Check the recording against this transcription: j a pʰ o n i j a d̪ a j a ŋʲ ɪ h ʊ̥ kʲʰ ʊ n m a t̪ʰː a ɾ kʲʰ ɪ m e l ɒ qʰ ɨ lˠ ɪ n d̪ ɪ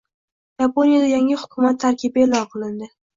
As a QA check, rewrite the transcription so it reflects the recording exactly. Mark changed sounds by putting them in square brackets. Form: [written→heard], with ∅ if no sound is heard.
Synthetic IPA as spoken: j a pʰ o n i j a d̪ a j a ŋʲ ɪ h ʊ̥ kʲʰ ʊ [n→∅] m a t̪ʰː a ɾ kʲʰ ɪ [m→b] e l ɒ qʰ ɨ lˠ ɪ n d̪ ɪ

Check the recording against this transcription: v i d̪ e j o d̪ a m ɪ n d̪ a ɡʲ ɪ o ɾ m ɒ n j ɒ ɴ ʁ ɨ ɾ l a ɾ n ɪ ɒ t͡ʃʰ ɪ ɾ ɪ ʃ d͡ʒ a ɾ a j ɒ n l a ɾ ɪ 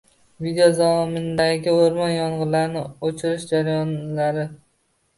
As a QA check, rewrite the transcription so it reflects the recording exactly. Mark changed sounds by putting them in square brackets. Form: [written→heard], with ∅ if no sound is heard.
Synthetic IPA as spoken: v i d̪ e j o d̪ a m ɪ n d̪ a ɡʲ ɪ o ɾ m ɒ n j ɒ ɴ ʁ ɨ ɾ l a ɾ n ɪ [ɒ→o] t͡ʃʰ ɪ ɾ ɪ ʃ d͡ʒ a ɾ a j ɒ n l a ɾ ɪ

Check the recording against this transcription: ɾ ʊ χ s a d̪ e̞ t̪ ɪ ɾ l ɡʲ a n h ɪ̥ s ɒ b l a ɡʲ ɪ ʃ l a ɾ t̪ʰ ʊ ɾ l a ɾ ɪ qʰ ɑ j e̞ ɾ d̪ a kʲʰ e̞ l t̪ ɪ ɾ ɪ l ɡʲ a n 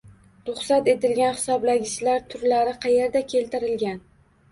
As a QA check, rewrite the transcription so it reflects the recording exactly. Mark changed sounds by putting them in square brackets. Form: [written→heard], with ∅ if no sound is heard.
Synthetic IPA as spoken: ɾ ʊ χ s a [d̪→t̪] e̞ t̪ ɪ [ɾ→∅] l ɡʲ a n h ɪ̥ s ɒ b l a ɡʲ ɪ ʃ l a ɾ t̪ʰ ʊ ɾ l a ɾ ɪ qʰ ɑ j e̞ ɾ d̪ a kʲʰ e̞ l t̪ ɪ ɾ ɪ l ɡʲ a n

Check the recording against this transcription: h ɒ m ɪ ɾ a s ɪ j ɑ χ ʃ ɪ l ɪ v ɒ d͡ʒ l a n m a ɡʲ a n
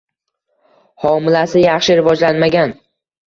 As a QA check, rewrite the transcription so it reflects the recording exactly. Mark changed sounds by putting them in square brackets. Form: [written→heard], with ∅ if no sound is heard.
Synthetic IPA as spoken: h ɒ m ɪ [ɾ→l] a s ɪ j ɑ χ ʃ ɪ [l→ɾ] ɪ v ɒ d͡ʒ l a n m a ɡʲ a n

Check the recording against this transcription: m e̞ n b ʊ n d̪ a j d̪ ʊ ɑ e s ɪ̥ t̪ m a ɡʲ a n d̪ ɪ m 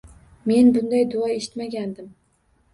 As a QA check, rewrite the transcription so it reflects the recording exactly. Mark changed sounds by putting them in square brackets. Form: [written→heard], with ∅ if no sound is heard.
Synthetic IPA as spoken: m e̞ n b ʊ n d̪ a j d̪ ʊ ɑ e [s→ʃ] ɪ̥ t̪ m a ɡʲ a n d̪ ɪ m

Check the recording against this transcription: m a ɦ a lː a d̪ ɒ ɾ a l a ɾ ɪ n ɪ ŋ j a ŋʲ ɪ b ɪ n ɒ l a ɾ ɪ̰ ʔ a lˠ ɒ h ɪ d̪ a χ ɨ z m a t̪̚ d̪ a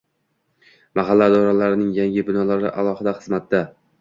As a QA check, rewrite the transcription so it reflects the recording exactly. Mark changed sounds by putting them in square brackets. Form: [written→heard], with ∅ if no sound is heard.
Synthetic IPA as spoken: m a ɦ a lː a d̪ ɒ ɾ a l a ɾ ɪ n ɪ ŋ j a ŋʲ ɪ b ɪ n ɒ l a ɾ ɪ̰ ʔ a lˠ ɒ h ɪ d̪ a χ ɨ z m a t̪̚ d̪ a

